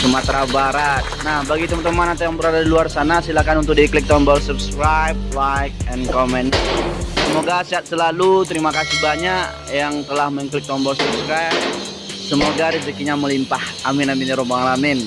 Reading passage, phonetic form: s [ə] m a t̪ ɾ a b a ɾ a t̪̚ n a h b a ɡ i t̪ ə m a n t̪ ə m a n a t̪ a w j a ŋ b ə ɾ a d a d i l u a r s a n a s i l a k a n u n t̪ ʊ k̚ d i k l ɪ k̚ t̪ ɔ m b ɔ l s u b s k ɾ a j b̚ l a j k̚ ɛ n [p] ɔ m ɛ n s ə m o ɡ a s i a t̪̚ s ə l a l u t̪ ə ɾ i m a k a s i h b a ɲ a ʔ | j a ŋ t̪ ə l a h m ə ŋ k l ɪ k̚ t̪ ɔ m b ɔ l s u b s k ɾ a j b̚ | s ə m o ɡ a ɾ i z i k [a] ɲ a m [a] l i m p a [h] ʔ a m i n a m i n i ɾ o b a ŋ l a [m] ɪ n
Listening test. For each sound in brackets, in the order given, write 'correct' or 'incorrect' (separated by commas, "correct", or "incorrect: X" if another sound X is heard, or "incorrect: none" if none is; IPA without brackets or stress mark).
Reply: correct, incorrect: k, incorrect: i, incorrect: ə, correct, correct